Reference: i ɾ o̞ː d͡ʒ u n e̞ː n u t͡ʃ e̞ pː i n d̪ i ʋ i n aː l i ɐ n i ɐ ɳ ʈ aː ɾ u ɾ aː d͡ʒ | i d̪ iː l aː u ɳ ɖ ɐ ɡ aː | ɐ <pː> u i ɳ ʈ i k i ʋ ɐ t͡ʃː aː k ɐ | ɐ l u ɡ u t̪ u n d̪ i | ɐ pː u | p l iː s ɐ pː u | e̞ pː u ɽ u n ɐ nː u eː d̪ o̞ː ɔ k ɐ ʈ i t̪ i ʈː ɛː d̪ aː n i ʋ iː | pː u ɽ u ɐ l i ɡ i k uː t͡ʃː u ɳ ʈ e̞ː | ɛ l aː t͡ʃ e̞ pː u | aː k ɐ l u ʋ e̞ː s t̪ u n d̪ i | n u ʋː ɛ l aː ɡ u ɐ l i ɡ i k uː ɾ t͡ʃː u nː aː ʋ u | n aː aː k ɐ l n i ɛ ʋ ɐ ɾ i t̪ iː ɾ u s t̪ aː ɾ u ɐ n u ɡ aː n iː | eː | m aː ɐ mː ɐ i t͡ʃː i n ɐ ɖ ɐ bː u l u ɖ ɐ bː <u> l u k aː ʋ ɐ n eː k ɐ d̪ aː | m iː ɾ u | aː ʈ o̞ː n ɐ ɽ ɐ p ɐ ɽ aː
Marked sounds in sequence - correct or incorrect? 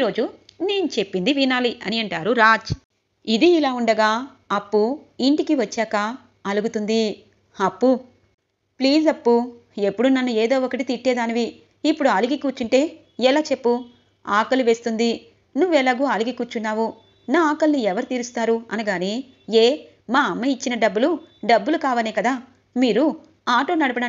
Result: correct, correct

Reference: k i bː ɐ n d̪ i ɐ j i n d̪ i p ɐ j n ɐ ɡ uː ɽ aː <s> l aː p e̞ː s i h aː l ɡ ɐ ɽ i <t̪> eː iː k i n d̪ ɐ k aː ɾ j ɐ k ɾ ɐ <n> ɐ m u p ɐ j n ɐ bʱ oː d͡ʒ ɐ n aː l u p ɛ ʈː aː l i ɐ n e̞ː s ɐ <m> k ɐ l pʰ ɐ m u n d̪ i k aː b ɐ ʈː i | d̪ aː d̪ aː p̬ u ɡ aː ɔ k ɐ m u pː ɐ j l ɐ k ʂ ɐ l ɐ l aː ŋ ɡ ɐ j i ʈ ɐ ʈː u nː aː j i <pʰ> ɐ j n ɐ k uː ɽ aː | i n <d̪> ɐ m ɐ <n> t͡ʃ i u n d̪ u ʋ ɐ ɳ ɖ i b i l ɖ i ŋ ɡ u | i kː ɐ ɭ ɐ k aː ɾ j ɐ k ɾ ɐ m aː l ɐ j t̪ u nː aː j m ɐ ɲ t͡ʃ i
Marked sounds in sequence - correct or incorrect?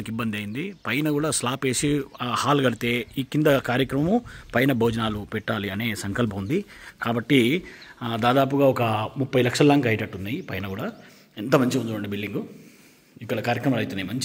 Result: correct, correct, incorrect: m, incorrect: ŋ, incorrect: p, incorrect: t̪, incorrect: ɲ

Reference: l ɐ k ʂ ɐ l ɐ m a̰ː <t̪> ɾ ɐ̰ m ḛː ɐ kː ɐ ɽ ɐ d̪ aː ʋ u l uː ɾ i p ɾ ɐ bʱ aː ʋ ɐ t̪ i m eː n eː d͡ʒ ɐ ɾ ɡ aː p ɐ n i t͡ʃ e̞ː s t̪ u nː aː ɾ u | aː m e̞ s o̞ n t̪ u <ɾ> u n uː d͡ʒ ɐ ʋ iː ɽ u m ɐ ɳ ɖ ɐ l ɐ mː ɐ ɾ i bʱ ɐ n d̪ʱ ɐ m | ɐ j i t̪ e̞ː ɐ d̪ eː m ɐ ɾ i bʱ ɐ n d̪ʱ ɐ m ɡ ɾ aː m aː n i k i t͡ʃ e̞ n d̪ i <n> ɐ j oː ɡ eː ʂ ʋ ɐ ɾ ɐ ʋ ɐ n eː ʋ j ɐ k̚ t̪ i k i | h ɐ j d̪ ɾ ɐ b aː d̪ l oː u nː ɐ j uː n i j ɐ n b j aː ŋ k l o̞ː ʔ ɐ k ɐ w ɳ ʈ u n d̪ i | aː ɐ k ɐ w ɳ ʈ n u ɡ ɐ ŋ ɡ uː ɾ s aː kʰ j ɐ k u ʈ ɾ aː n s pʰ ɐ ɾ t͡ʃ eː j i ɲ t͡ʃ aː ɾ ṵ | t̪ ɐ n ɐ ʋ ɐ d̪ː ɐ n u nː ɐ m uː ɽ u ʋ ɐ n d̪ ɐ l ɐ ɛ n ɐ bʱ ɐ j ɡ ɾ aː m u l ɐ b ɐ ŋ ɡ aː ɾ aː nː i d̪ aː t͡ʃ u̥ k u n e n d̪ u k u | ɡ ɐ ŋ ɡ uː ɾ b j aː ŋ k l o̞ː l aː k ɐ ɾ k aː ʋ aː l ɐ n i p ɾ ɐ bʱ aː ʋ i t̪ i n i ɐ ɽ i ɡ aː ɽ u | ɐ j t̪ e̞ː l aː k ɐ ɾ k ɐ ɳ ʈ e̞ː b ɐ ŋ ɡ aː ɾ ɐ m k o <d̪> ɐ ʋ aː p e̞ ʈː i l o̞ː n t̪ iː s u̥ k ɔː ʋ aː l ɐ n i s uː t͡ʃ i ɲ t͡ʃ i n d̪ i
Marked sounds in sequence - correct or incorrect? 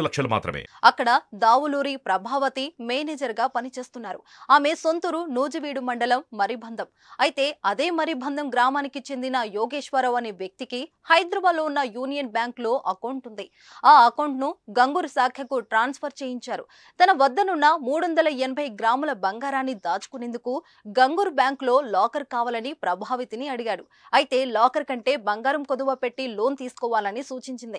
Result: correct, correct, correct, correct

